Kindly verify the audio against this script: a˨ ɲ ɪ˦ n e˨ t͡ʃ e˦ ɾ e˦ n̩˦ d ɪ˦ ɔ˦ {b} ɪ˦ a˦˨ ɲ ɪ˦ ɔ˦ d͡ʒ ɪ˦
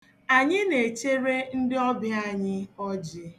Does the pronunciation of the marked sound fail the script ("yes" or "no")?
no